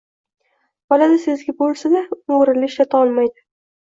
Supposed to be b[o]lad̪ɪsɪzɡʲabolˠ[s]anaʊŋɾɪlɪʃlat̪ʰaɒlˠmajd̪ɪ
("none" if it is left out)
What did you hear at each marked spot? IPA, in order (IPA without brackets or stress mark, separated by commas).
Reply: ɒ, s